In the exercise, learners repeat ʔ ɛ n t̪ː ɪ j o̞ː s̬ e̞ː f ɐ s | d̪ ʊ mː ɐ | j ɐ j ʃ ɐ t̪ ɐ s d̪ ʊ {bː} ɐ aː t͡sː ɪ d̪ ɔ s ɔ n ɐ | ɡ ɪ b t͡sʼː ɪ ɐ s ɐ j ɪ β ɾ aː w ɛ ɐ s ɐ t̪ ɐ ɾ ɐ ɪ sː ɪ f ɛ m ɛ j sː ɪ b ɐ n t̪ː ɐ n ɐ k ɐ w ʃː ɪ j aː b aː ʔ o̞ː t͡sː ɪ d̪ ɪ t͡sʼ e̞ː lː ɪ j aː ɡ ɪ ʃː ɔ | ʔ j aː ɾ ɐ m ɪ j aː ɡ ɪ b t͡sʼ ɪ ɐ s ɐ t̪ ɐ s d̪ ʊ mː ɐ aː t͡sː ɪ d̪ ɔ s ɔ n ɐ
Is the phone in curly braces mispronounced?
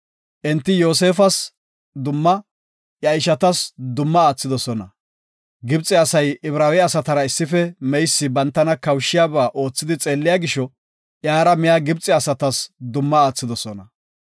yes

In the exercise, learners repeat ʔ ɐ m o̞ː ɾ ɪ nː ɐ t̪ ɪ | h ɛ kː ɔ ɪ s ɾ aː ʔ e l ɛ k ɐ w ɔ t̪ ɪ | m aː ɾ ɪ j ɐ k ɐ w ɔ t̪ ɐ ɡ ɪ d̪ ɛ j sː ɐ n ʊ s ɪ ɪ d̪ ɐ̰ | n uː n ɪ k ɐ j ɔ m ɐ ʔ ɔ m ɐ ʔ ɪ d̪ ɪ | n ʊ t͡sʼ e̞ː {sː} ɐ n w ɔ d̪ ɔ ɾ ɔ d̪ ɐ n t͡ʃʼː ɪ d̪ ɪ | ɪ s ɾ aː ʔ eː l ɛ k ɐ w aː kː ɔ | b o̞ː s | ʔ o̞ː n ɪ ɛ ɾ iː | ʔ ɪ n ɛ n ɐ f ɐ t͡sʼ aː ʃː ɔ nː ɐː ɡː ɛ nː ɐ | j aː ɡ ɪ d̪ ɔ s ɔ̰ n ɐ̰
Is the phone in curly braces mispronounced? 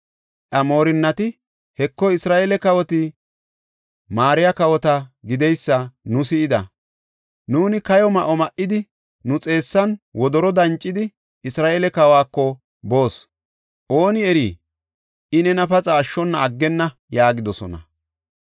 no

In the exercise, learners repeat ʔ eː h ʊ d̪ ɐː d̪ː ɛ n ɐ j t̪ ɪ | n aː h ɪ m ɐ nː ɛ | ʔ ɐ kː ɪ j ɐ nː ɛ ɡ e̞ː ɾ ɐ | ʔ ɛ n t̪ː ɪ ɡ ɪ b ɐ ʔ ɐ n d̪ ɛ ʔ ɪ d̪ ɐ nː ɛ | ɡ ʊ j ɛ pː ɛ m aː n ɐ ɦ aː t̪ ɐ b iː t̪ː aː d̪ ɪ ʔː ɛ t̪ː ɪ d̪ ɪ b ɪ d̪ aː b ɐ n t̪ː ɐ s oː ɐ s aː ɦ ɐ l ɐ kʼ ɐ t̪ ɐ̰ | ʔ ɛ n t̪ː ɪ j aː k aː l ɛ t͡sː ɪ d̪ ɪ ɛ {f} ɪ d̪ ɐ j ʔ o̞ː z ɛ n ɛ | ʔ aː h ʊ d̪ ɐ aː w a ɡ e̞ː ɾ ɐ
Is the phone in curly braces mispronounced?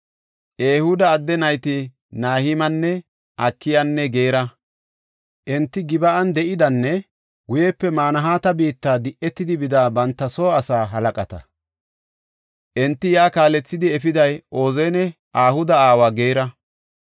no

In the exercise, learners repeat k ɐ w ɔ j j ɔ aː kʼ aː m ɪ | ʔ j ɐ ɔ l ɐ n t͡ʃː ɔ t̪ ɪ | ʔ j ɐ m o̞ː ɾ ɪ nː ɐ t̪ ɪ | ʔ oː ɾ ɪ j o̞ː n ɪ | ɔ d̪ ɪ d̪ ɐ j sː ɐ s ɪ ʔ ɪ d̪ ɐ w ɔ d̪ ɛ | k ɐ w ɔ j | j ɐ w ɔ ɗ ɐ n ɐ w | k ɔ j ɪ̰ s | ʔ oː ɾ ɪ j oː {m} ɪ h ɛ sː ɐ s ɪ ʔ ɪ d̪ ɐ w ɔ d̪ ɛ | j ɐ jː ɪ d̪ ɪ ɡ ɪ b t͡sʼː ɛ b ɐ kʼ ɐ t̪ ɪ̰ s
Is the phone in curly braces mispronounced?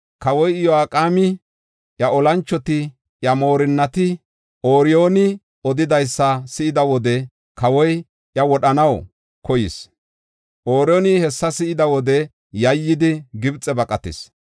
yes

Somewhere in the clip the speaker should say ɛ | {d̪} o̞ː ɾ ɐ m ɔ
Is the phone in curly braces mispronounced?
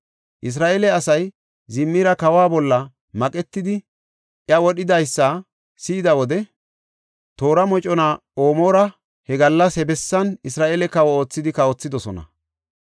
yes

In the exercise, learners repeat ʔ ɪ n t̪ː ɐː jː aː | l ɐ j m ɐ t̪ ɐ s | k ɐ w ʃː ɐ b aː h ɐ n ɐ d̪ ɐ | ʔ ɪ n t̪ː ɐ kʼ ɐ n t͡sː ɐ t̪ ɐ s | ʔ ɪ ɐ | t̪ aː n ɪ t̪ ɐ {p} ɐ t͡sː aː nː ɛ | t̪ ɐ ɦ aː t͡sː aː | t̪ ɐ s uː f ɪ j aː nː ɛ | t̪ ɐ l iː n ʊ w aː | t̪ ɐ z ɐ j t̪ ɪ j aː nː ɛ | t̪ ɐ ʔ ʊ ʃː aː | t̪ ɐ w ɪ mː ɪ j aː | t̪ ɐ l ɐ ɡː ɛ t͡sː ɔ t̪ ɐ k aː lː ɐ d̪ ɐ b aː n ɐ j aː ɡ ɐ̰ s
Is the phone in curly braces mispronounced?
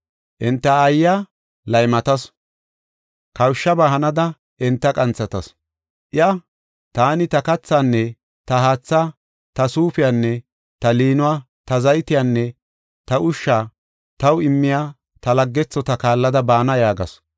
yes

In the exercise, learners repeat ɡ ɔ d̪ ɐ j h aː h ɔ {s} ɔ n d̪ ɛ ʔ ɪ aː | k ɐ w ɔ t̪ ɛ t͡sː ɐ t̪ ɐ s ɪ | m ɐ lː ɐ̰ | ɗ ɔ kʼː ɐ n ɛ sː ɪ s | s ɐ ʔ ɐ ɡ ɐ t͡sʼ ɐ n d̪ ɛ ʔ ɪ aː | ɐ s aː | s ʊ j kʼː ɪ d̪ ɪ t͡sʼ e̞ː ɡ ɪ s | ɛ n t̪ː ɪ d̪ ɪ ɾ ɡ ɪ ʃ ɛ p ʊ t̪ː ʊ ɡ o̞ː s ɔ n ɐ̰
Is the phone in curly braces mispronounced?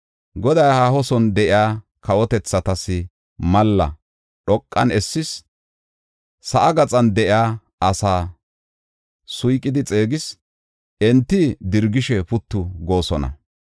no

